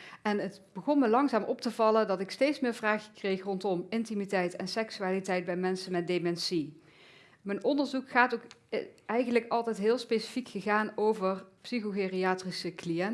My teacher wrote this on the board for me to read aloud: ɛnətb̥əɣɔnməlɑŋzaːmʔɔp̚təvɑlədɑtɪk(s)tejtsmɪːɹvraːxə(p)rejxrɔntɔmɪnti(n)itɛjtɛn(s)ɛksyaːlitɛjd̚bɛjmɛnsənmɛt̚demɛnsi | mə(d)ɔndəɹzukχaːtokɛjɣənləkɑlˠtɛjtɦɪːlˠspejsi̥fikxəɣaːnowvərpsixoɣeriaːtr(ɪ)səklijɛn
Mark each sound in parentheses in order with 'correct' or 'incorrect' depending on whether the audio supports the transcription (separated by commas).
correct, incorrect, incorrect, correct, incorrect, incorrect